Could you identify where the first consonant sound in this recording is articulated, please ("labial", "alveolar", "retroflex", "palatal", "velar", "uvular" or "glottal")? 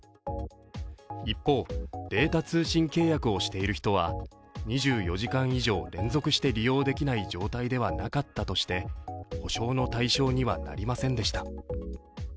labial